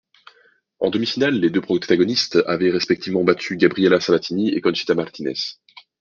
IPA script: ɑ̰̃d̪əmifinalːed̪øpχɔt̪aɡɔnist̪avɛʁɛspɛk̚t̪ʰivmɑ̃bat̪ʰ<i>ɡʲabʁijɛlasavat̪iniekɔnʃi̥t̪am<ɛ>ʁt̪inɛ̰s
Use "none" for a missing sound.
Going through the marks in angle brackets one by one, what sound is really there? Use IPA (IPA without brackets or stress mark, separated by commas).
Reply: y, a